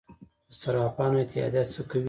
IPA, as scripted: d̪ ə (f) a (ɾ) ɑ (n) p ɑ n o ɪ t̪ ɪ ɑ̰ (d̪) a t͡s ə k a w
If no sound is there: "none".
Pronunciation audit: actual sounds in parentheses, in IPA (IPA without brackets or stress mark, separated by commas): s, ɾ, none, d̪